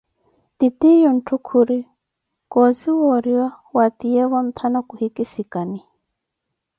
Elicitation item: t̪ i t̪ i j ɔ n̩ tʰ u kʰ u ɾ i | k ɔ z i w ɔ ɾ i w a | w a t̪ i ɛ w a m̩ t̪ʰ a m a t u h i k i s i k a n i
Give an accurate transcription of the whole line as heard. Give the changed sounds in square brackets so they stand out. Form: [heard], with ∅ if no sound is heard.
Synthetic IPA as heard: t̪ i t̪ i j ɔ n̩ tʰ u kʰ u ɾ i | k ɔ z i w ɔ ɾ i w a | w a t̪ i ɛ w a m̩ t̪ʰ a [n] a [k] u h i k i s i k a n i